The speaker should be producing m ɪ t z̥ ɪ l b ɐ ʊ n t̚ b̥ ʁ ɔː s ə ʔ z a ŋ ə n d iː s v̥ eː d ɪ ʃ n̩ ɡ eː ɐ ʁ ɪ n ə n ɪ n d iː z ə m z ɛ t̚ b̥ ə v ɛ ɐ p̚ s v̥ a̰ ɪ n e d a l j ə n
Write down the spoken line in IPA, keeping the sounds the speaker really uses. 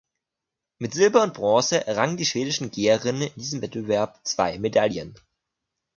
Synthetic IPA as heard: m ɪ t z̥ ɪ l b ɐ ʊ n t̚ b̥ ʁ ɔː s ə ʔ ʁ a ŋ ə n d iː ʃ v̥ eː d ɪ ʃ n̩ ɡ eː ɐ ʁ ɪ n ə n ɪ n d iː z ə m v ɛ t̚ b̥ ə v ɛ ɐ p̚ t͡s v̥ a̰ ɪ m e d a l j ə n